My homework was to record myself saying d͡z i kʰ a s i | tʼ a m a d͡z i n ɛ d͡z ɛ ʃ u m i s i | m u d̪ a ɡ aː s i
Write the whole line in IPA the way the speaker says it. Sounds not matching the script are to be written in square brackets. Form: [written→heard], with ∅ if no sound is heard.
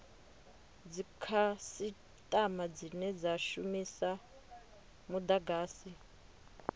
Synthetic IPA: d͡z i kʰ a s i | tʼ a m a d͡z i n ɛ d͡z [ɛ→a] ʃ u m i s [i→a] | m u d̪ a ɡ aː s i